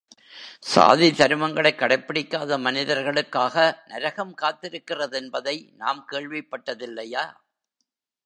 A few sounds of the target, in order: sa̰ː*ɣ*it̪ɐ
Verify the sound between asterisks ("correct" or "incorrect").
incorrect